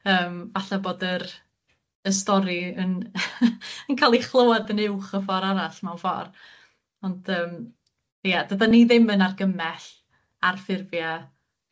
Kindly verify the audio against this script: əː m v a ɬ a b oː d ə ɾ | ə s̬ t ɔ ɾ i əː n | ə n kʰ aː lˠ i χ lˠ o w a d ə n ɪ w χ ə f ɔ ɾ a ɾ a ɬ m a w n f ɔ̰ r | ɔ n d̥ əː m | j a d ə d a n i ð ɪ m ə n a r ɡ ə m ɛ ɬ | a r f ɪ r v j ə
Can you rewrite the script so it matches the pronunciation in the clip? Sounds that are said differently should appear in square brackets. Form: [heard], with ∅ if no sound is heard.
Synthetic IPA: əː m v a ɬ a b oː d ə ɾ | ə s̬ t ɔ ɾ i [ə] n | ə n kʰ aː lˠ i χ lˠ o w a d ə n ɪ w χ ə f ɔ ɾ a ɾ a ɬ m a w n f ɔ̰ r | ɔ n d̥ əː m | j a d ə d a n i ð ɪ m ə n a r ɡ ə m ɛ ɬ | a r f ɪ r v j [a]

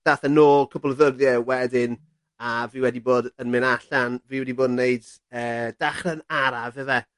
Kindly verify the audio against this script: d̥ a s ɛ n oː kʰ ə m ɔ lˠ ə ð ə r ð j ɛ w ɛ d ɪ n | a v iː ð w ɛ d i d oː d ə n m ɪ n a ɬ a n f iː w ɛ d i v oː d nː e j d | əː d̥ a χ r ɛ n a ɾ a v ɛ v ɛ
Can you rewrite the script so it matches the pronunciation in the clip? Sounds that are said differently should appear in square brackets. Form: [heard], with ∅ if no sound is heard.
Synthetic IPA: d̥ a [θ] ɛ n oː kʰ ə [b] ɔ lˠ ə ð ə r ð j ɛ w ɛ d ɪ n | a v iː [∅] w ɛ d i [b] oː d ə n m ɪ n a ɬ a n [v] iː w ɛ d i [b] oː d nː e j d | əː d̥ a χ r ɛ n a ɾ a v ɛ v ɛ

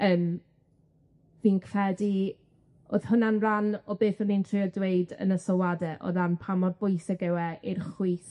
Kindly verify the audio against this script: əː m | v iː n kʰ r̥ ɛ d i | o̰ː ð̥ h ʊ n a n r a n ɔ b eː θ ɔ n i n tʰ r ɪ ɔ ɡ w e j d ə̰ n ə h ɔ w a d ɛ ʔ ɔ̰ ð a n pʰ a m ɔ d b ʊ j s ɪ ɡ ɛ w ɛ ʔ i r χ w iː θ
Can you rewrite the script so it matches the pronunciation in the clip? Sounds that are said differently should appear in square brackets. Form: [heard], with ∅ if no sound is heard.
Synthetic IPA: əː m | v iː n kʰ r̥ ɛ d i | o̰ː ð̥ h ʊ n a n r a n ɔ b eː θ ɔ n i n tʰ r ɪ ɔ [d] w e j d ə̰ n ə [s] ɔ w a d ɛ ʔ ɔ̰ ð a n pʰ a m ɔ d b ʊ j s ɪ ɡ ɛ w ɛ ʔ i r χ w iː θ

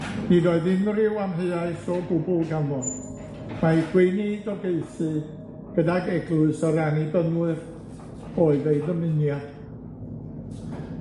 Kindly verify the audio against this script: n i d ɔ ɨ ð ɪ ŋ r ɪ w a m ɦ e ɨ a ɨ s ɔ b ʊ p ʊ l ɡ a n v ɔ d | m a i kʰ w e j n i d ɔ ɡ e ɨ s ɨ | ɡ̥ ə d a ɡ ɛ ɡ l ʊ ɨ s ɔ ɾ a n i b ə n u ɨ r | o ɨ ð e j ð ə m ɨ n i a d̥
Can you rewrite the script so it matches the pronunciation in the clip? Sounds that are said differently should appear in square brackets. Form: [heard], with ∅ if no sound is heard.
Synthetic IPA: n i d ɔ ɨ ð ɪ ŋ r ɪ w a m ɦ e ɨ a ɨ s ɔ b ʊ [b] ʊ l ɡ a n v ɔ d | m a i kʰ w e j n i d ɔ ɡ e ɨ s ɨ | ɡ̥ ə d a ɡ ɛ ɡ l ʊ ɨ s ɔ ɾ a n i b ə n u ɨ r | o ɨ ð e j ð ə m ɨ n [j] a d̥

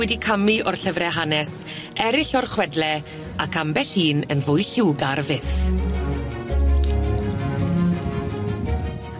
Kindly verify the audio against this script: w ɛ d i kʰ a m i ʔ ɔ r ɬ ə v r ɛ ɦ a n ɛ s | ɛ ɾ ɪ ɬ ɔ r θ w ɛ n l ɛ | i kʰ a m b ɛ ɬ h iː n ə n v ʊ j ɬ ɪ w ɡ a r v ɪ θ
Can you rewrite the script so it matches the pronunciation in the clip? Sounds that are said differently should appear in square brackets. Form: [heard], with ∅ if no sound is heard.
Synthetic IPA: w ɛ d i kʰ a m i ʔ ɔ r ɬ ə v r ɛ ɦ a n ɛ s | ɛ ɾ ɪ ɬ ɔ r [χ] w ɛ [d] l ɛ | [a] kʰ a m b ɛ ɬ h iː n ə n v ʊ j ɬ ɪ w ɡ a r v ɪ θ

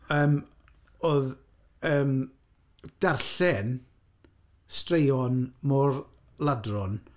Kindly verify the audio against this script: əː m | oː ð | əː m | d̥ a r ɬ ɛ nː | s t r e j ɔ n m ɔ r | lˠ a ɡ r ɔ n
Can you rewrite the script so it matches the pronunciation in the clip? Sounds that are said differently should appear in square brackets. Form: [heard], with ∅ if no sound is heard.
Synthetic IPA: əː m | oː ð | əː m | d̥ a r ɬ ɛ [n] | s t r e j ɔ n m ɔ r | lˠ a [d] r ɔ n

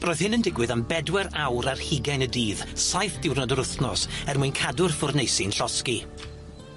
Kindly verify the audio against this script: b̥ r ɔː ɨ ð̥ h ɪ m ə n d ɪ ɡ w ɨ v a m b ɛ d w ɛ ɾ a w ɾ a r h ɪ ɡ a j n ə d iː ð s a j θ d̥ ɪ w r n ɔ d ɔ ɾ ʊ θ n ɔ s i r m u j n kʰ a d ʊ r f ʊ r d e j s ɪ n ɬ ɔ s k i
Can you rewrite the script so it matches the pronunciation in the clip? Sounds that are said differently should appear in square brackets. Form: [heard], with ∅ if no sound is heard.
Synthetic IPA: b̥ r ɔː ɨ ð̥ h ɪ [n] ə n d ɪ ɡ w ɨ [ð] a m b ɛ d w ɛ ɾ a w ɾ a r h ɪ ɡ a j n ə d iː ð s a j θ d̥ ɪ w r n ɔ d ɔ ɾ ʊ θ n ɔ s [ɛ] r m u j n kʰ a d ʊ r f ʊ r [n] e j s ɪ n ɬ ɔ s k i

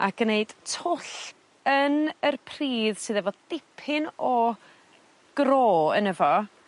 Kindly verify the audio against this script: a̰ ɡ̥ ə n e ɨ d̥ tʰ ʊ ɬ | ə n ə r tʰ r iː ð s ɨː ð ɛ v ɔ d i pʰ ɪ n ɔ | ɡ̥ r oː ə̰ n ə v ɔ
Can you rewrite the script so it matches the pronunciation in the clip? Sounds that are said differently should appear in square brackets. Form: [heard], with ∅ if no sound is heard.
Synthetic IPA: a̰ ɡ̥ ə n e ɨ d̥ tʰ ʊ ɬ | ə n ə r [pʰ] r iː ð s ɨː ð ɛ v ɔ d [ɪ] pʰ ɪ n ɔ | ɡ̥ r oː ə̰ n ə v ɔ

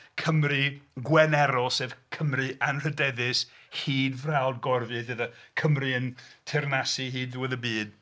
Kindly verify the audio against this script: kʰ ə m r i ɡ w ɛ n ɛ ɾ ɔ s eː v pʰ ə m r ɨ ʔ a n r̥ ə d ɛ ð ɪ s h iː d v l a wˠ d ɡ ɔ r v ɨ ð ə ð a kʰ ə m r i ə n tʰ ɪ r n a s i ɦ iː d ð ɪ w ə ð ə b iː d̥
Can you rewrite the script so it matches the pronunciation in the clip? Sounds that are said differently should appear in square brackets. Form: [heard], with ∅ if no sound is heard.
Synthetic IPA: kʰ ə m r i ɡ w ɛ n ɛ ɾ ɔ s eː v [kʰ] ə m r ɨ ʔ a n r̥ ə d ɛ ð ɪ s h iː d v [r] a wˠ d ɡ ɔ r v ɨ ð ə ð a kʰ ə m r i ə n tʰ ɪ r n a s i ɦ iː d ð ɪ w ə ð ə b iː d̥

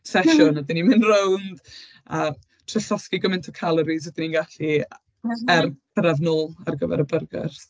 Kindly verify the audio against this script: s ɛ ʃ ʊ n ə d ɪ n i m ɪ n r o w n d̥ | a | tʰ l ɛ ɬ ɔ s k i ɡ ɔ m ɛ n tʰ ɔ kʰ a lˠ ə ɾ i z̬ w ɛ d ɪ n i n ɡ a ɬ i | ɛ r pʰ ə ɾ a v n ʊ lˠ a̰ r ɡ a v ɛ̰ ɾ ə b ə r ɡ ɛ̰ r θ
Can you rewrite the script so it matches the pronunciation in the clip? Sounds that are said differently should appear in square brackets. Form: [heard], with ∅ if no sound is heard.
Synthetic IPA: s ɛ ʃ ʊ n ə d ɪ n i m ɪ n r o w n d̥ | a | tʰ [r] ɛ ɬ ɔ s k i ɡ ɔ m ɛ n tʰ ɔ kʰ a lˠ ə ɾ i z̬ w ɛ d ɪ n i n ɡ a ɬ i | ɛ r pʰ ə ɾ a v n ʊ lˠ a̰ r ɡ [ə] v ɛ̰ ɾ ə b ə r ɡ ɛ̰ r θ

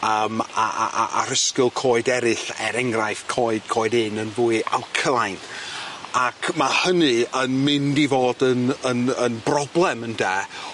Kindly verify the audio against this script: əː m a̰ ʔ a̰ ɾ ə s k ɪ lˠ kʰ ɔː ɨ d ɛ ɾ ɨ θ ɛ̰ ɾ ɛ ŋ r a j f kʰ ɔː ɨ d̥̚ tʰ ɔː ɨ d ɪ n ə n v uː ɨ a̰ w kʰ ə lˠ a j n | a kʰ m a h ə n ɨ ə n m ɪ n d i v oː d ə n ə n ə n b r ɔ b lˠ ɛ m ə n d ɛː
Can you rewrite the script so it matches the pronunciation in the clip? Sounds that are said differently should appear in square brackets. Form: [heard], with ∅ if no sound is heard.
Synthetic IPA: əː m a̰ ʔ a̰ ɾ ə s k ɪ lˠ kʰ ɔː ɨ d ɛ ɾ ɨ θ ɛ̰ ɾ ɛ ŋ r a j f kʰ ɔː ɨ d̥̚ [kʰ] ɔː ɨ d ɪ n ə n v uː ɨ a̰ w kʰ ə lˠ a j n | a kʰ m a h ə n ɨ ə n m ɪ n d i v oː d ə n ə n ə n b r ɔ b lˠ ɛ m ə n d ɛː

